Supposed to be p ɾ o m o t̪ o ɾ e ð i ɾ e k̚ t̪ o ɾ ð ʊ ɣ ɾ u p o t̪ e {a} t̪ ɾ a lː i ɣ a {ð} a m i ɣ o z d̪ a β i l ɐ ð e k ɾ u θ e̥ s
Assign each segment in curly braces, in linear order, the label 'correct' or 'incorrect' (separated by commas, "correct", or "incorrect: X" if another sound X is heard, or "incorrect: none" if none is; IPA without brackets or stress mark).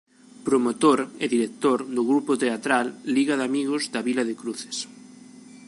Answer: correct, correct